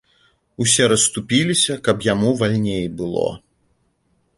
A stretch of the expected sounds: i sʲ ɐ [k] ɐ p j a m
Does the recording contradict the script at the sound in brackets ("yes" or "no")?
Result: no